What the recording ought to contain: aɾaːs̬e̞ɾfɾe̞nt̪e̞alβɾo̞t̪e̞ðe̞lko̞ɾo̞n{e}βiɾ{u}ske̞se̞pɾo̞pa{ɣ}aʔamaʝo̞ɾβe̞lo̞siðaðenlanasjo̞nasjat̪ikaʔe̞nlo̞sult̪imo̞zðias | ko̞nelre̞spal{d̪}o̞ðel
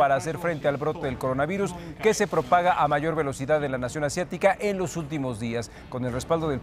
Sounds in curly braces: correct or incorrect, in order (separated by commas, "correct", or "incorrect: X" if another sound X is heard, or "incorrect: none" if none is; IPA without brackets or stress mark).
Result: incorrect: a, correct, correct, correct